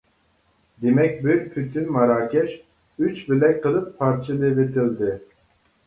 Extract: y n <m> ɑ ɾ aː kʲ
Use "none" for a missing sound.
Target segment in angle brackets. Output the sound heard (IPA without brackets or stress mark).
m